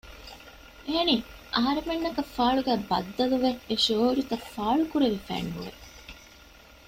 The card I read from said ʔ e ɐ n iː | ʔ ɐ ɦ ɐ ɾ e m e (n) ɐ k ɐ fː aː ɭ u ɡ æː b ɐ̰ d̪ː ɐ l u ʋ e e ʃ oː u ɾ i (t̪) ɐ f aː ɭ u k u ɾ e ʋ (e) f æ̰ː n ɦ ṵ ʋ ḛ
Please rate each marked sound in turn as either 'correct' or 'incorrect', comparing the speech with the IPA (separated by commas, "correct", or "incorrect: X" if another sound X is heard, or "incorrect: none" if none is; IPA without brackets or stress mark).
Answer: incorrect: nː, correct, incorrect: i